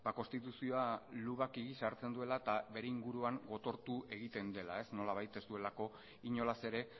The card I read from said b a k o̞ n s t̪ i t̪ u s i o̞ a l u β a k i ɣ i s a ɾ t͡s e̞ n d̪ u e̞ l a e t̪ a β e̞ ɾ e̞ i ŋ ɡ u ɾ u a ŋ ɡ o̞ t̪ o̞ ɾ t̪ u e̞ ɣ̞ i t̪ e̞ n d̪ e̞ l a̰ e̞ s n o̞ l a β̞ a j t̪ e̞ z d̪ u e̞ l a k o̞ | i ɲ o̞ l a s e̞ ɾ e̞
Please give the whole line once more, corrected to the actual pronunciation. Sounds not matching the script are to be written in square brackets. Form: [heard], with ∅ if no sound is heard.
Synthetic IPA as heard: b a k o̞ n s t̪ i t̪ u s i o̞ a l u β a k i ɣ i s a ɾ t͡s e̞ n d̪ u e̞ l a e t̪ a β e̞ ɾ e̞ i ŋ ɡ u ɾ u a ŋ ɡ o̞ t̪ o̞ ɾ t̪ u e̞ ɣ̞ i t̪ e̞ n d̪ e̞ l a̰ e̞ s n o̞ l a β̞ a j t̪ e̞ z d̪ u e̞ l a k o̞ | i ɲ o̞ l a s e̞ ɾ e̞